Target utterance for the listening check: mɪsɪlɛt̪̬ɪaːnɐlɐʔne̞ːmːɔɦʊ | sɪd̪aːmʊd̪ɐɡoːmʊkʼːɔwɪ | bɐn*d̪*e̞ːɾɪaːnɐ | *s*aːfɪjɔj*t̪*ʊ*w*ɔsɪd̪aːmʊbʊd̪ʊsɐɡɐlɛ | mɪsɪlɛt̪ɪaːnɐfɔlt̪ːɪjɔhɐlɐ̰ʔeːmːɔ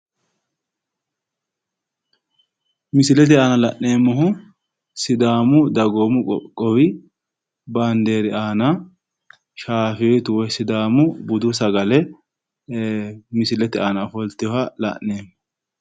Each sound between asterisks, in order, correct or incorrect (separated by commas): correct, incorrect, correct, correct